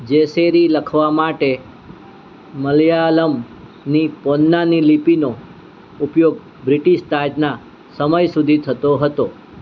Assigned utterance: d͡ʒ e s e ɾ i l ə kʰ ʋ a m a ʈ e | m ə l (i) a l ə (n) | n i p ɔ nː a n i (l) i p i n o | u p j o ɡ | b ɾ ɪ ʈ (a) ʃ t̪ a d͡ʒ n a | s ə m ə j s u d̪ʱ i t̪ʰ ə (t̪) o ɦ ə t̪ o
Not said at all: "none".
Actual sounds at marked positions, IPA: j, m, l, i, t̪

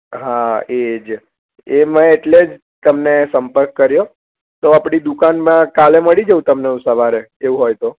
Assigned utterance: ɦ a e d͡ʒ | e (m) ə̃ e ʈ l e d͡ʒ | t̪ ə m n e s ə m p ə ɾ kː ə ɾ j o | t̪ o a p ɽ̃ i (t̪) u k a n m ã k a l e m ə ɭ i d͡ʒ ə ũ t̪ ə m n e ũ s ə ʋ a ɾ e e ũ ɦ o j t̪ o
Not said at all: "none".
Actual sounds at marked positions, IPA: m, d̪

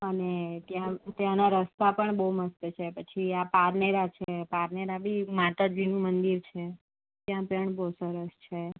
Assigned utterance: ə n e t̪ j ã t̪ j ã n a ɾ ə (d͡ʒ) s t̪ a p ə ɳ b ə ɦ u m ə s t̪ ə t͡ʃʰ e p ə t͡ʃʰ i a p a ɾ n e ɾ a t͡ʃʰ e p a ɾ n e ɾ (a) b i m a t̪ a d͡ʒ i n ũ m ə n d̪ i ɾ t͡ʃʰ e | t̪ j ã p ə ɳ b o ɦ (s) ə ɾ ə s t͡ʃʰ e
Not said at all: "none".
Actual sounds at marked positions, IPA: none, a, s

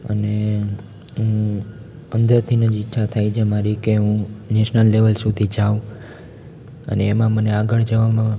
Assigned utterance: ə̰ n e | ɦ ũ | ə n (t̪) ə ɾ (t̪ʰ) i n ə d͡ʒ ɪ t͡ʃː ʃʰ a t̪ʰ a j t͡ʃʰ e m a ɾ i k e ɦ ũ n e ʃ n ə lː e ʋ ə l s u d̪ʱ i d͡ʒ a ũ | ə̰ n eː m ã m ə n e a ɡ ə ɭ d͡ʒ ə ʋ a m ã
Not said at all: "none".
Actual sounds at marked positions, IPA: d̪, t̪ʰ

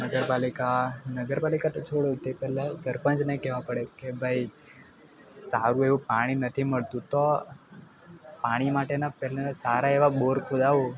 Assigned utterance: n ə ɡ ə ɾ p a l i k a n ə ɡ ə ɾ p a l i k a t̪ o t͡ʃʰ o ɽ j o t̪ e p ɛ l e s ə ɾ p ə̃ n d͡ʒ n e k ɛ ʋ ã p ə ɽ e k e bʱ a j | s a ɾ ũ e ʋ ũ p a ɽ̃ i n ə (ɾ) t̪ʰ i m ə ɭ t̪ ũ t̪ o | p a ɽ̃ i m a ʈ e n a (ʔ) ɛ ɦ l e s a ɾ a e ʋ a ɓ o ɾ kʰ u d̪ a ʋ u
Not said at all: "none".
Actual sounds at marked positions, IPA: none, p

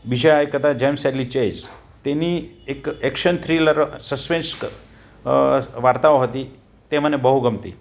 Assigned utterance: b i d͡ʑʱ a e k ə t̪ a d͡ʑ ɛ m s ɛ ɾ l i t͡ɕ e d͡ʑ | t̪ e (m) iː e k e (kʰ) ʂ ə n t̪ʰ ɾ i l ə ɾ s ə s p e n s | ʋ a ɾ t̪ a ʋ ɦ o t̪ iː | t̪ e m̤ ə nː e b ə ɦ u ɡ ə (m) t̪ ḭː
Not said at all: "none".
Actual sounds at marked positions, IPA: n, k, m

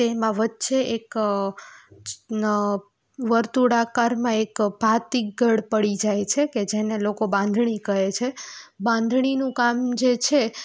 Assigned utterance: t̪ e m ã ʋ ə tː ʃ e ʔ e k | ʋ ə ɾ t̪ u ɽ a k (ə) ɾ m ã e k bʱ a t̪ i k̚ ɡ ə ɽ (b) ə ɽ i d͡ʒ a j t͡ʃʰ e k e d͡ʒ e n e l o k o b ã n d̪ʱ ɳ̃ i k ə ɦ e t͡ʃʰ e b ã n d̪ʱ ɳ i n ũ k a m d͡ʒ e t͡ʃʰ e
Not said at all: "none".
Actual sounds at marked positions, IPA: a, p

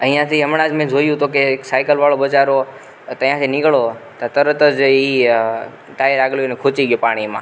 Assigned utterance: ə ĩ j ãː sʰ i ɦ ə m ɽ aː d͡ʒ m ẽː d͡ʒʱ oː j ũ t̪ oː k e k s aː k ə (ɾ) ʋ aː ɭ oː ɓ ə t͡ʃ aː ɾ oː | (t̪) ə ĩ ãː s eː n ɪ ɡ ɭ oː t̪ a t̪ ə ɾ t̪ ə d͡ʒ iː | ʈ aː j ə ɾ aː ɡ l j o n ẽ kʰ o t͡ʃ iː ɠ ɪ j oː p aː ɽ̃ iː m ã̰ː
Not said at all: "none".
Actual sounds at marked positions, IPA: l, t̪

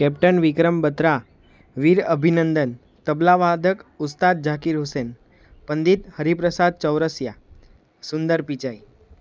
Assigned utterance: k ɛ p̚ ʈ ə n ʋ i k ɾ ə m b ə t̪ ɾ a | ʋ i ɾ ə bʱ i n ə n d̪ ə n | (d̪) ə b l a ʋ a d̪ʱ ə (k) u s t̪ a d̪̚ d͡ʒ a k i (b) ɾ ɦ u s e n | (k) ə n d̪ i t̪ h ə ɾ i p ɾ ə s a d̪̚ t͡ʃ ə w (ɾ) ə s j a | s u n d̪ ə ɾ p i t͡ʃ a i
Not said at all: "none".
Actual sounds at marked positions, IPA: t̪, k, none, p, ɾ

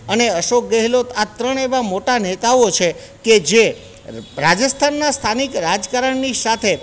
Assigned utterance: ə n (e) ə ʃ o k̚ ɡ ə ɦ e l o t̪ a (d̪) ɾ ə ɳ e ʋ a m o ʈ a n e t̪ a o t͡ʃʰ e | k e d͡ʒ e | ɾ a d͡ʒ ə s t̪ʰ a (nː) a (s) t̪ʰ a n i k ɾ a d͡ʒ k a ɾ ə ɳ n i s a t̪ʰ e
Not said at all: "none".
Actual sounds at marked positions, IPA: e, t̪, nː, s

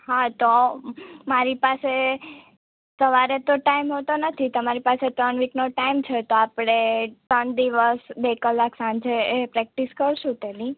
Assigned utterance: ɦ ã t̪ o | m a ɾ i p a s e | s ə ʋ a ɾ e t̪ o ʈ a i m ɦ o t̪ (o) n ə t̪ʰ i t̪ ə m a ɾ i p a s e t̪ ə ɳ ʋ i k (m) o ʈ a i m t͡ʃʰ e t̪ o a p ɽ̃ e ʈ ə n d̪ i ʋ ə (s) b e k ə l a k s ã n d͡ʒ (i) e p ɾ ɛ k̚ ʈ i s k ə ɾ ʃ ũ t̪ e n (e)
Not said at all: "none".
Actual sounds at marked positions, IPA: o, n, s, e, i

